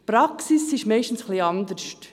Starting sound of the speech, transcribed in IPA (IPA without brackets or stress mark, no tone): p